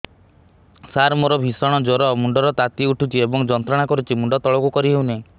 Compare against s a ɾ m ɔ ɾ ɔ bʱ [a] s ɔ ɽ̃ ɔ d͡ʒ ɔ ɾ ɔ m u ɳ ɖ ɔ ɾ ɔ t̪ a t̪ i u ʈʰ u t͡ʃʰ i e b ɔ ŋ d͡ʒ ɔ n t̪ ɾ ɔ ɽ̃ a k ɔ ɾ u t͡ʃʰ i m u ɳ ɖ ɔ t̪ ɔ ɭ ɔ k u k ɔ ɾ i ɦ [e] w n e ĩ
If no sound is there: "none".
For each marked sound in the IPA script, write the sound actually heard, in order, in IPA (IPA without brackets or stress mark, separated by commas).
i, e